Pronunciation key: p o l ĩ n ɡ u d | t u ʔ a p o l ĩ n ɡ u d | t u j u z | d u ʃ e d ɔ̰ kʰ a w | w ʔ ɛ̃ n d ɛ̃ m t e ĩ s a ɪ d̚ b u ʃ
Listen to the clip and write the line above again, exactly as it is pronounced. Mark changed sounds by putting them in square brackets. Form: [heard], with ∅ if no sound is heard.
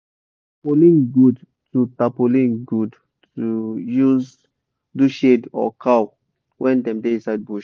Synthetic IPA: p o l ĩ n ɡ u d | t u [t] a p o l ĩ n ɡ u d | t u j u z | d u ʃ e d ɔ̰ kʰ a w | w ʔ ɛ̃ n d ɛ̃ m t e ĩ s a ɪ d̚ b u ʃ